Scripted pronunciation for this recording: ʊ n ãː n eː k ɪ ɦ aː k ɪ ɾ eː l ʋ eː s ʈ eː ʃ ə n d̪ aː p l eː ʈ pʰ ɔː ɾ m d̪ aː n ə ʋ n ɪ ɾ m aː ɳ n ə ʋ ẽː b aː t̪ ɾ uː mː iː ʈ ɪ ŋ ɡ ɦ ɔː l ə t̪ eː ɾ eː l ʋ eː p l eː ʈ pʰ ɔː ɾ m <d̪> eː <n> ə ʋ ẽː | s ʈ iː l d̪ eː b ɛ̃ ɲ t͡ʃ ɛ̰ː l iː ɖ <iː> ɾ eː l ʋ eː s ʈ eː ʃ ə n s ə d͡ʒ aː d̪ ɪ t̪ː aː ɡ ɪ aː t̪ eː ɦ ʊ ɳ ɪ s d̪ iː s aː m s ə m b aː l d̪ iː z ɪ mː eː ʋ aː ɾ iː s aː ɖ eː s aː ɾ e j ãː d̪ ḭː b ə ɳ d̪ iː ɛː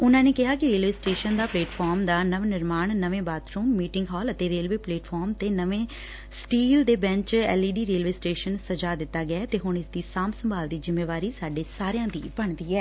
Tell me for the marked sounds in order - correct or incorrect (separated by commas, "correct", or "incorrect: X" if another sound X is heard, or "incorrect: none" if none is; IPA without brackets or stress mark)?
incorrect: t̪, correct, correct